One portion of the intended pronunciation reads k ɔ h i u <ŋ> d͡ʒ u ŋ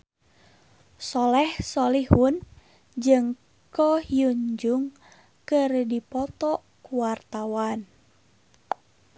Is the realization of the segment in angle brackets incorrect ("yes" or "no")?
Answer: yes